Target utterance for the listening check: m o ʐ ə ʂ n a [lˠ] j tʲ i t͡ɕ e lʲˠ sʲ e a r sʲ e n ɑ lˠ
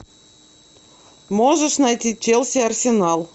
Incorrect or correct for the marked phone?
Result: incorrect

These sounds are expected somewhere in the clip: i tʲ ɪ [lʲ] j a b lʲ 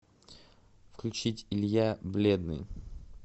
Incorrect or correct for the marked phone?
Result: correct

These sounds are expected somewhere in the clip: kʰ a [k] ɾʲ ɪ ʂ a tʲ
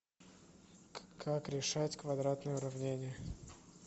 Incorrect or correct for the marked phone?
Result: correct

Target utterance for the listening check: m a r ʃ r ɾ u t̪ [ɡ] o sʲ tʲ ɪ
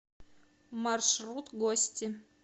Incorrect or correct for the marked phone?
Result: correct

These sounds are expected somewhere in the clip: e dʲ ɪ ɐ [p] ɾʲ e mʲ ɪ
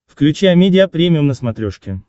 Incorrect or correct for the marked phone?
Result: correct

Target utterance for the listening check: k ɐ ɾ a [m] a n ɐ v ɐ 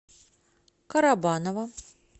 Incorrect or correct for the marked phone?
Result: incorrect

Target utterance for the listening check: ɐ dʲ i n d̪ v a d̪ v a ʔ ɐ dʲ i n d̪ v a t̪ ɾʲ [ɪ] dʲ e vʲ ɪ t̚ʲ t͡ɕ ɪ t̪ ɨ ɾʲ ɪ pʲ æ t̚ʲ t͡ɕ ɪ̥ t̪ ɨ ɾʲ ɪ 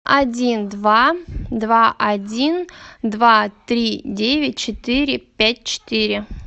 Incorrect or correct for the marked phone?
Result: incorrect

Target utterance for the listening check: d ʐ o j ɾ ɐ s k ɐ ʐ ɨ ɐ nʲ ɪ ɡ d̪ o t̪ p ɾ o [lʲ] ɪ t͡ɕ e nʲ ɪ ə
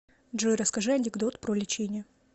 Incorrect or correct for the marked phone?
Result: correct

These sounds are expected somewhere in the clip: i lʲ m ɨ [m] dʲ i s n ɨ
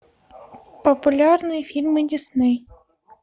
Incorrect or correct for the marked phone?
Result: incorrect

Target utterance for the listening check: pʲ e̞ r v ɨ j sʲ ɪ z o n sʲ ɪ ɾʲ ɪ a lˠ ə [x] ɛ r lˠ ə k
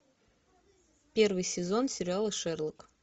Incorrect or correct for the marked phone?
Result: incorrect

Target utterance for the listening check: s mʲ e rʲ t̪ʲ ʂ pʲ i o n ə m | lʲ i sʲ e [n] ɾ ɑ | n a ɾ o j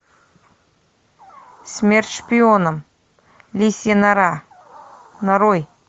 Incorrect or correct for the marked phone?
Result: correct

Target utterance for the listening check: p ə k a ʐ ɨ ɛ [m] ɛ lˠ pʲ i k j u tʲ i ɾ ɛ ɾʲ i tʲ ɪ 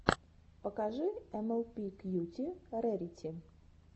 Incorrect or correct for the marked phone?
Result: correct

